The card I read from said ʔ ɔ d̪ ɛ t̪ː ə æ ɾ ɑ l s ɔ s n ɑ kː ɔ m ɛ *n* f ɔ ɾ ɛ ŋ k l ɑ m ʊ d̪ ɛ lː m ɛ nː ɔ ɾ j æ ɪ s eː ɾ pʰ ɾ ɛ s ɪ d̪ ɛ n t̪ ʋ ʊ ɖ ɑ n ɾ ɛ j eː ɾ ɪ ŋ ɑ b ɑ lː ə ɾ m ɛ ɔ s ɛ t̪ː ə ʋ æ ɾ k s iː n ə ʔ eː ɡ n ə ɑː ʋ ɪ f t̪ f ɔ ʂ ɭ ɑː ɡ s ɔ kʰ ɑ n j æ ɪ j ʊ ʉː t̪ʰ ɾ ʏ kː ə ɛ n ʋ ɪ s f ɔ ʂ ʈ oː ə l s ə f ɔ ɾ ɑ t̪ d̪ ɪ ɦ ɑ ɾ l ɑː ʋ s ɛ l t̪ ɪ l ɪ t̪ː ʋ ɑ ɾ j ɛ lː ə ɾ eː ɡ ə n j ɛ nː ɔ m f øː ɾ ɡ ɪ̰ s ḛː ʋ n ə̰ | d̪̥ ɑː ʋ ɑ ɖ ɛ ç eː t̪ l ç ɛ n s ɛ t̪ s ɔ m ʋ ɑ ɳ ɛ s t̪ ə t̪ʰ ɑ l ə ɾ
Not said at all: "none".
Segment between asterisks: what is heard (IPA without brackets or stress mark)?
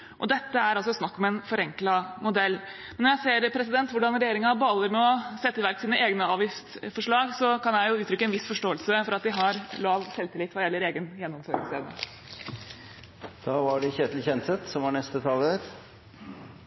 n